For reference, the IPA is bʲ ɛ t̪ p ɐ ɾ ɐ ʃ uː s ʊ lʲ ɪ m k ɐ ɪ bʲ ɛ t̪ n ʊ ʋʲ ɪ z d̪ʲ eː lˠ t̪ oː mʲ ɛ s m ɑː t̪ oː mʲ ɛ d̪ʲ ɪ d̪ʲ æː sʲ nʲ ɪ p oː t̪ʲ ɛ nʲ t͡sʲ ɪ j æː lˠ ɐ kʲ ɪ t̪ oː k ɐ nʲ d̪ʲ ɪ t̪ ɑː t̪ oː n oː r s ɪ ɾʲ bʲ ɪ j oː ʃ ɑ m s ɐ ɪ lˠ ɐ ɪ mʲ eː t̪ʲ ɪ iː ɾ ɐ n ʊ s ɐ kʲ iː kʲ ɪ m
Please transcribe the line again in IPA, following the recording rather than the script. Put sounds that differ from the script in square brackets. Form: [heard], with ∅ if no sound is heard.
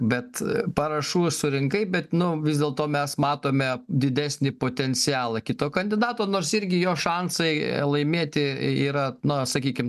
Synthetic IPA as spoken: bʲ ɛ t̪ p ɐ ɾ ɐ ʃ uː s ʊ [ɾʲ] ɪ [ŋ] k ɐ ɪ bʲ ɛ t̪ n ʊ ʋʲ ɪ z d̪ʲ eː lˠ t̪ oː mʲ ɛ s m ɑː t̪ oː mʲ ɛ d̪ʲ ɪ d̪ʲ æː sʲ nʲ ɪ p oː t̪ʲ ɛ nʲ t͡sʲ ɪ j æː lˠ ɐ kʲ ɪ t̪ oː k ɐ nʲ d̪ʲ ɪ [d̪] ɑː t̪ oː n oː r s ɪ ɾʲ [ɡʲ] ɪ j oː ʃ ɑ [n] s ɐ ɪ lˠ ɐ ɪ mʲ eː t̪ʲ ɪ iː ɾ ɐ n ʊ s ɐ kʲ iː kʲ ɪ m